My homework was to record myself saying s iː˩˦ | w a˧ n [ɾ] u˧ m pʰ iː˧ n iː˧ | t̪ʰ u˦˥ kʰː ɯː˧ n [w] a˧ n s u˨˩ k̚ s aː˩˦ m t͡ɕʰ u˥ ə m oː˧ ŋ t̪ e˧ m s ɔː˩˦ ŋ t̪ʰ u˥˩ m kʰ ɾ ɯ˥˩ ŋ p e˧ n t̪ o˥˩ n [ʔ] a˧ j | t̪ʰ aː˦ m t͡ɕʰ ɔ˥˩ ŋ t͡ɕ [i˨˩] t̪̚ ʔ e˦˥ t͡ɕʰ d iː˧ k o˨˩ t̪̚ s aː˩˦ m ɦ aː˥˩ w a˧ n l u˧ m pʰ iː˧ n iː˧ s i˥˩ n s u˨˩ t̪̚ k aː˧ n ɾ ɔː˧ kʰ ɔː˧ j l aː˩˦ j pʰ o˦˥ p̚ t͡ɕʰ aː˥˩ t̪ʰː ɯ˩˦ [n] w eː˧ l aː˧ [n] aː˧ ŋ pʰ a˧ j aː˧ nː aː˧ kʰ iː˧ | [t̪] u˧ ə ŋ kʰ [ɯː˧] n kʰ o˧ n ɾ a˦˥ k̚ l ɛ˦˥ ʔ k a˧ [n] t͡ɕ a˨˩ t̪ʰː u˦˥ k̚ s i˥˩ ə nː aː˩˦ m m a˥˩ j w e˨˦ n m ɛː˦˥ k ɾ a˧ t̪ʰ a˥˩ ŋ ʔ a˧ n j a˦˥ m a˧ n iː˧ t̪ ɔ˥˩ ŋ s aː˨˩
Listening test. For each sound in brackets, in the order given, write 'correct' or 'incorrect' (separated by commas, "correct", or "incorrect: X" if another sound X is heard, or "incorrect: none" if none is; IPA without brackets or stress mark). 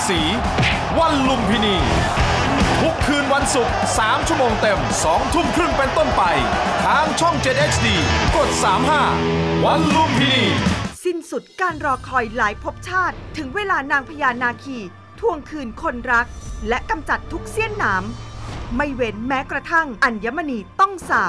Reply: incorrect: l, correct, incorrect: p, incorrect: e˨˩, incorrect: ŋ, correct, incorrect: t̪ʰ, correct, incorrect: m